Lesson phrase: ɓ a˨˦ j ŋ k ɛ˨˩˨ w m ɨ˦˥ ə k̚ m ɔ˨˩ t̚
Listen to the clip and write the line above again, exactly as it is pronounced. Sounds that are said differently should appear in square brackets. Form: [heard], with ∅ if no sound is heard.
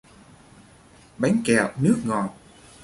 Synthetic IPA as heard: ɓ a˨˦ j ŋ k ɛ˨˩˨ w [n] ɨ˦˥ ə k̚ [ŋ] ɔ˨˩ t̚